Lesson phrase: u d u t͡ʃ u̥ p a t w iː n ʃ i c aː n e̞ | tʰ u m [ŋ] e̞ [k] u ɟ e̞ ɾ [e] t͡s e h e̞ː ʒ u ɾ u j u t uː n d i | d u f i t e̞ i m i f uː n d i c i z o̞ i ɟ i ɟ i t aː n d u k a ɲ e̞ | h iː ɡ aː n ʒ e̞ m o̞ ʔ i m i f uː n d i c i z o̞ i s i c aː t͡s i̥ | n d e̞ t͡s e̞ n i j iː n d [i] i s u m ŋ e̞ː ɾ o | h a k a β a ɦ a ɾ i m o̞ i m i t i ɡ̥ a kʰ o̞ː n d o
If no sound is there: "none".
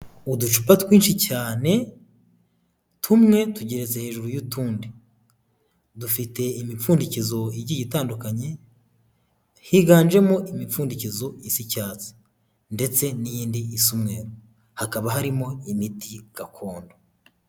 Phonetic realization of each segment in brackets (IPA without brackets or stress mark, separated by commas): ŋ, t, e, i